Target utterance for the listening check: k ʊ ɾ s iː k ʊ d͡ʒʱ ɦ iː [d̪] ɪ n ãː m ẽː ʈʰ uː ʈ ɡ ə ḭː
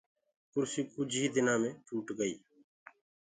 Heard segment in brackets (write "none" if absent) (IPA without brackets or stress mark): d̪